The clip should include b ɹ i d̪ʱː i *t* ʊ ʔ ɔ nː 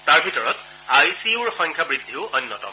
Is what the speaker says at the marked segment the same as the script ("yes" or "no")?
no